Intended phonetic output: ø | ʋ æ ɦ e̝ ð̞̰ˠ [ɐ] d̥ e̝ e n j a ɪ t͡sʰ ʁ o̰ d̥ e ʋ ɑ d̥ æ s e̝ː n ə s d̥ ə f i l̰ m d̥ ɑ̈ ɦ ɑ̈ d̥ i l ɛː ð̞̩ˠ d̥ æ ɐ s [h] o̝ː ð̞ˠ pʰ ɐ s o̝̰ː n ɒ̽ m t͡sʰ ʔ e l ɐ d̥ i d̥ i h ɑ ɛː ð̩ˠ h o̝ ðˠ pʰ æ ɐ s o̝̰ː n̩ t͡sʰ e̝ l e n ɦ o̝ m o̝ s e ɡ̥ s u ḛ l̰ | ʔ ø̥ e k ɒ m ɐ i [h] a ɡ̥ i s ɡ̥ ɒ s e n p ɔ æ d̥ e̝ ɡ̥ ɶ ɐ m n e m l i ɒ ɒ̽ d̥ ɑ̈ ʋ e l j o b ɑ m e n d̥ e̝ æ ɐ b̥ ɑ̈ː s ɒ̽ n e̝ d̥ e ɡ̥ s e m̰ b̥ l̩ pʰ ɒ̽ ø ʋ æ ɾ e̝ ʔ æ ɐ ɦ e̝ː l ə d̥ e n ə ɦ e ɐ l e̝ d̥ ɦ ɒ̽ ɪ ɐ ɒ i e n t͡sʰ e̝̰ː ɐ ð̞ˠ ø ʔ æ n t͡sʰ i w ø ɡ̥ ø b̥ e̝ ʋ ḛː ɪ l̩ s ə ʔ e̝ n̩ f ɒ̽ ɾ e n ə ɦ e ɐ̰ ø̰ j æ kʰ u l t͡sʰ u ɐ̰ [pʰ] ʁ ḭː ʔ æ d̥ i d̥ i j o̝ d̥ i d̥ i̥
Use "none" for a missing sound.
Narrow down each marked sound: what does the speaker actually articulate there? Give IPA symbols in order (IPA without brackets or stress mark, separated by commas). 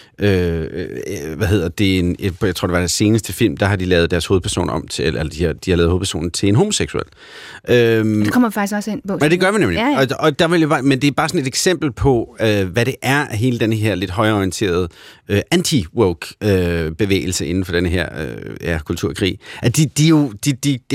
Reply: ɐ, h, f, kʰ